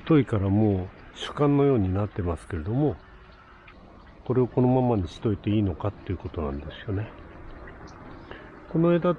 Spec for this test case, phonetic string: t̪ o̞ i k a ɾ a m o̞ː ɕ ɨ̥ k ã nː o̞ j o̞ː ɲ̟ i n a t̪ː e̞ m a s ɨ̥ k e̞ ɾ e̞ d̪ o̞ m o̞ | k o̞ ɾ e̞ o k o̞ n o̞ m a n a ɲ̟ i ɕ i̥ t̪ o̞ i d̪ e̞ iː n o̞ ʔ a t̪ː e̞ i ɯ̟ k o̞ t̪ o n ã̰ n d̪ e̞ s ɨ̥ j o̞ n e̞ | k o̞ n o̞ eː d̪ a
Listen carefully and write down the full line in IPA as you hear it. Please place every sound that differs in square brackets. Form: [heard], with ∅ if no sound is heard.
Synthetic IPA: t̪ o̞ i k a ɾ a m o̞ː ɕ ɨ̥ k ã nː o̞ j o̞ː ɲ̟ i n a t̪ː e̞ m a s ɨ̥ k e̞ ɾ e̞ d̪ o̞ m o̞ | k o̞ ɾ e̞ o k o̞ n o̞ m a [m] a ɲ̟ i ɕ i̥ t̪ o̞ i [t̪] e̞ iː n o̞ [k] a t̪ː e̞ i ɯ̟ k o̞ t̪ o n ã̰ n d̪ e̞ s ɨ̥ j o̞ n e̞ | k o̞ n o̞ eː d̪ a